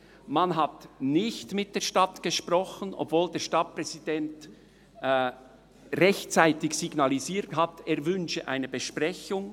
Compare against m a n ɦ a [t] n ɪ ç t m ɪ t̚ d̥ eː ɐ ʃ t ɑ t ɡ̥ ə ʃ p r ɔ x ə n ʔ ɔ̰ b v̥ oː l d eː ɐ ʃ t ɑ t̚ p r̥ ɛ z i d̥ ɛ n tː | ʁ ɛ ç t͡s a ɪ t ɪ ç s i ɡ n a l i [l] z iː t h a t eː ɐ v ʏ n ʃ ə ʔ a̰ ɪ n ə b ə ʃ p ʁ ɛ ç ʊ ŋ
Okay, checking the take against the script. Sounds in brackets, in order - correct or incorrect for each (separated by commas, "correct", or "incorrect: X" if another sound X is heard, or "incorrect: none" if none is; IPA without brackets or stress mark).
correct, incorrect: none